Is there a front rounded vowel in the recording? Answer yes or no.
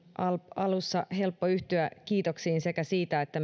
yes